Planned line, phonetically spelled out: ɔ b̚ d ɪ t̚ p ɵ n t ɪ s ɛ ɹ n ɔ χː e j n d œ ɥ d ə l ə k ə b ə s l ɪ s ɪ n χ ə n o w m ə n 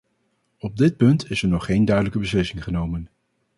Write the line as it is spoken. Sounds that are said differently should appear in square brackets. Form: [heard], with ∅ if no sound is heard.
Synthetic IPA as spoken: ɔ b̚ d ɪ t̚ p ɵ n t ɪ s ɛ ɹ n ɔ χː e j n d œ ɥ d ə l ə k ə b ə s l ɪ s ɪ [ŋ] χ ə n o w m ə n